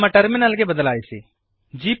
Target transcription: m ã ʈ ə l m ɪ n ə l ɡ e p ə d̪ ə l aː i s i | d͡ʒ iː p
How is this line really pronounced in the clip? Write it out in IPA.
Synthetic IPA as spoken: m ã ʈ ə ɾ m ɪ n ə l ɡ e b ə d̪ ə l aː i s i | d͡ʒ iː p